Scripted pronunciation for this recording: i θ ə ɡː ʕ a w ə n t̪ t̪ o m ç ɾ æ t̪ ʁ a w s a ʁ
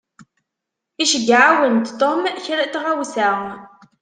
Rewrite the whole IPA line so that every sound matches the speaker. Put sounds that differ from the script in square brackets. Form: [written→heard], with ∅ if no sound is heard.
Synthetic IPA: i [θ→ʃ] ə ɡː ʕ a w ə n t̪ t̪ o m ç ɾ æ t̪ ʁ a w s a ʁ